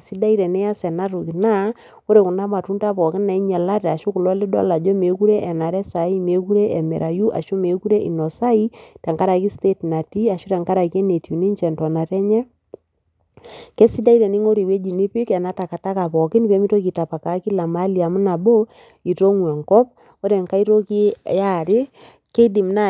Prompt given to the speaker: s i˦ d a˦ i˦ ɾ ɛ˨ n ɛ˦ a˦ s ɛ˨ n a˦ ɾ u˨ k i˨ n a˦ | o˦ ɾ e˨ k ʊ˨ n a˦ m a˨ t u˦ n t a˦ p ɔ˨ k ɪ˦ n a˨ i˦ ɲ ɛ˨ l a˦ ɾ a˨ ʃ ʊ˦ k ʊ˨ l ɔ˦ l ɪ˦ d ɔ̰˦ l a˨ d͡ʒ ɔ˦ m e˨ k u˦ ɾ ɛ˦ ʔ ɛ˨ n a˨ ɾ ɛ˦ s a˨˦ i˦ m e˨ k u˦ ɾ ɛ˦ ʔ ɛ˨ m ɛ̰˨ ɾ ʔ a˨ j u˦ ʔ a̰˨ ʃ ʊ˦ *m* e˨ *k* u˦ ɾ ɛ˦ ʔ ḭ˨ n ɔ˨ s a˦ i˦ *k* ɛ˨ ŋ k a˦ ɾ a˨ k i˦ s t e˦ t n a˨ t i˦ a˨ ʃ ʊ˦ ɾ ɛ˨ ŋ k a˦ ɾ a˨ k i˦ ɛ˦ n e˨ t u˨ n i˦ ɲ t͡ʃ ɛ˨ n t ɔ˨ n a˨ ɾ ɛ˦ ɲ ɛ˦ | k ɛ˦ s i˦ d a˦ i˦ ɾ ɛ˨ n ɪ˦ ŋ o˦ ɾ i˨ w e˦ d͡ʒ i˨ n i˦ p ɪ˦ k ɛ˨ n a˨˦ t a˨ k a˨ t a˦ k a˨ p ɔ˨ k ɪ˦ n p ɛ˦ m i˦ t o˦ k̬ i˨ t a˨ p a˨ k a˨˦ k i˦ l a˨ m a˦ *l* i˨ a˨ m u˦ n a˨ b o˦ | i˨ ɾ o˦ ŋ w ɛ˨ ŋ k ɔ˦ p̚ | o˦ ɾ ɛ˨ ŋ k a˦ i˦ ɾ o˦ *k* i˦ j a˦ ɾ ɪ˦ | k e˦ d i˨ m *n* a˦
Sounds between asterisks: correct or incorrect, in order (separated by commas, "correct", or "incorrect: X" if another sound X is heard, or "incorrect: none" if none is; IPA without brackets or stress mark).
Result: correct, correct, incorrect: t, correct, correct, correct